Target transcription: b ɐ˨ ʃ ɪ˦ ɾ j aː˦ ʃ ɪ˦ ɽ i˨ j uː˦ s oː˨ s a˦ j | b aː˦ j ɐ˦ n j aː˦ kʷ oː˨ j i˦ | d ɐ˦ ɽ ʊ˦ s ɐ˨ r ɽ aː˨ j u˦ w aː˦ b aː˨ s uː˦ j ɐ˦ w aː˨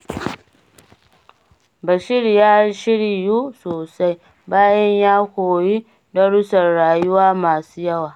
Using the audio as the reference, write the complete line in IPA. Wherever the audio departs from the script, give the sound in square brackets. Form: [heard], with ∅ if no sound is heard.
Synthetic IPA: b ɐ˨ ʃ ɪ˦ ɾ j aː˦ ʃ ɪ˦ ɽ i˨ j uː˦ s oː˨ s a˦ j | b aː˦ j ɐ˦ [ɲ] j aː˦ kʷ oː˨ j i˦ | d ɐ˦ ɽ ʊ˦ s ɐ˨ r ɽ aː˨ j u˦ w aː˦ [m] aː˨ s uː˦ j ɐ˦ w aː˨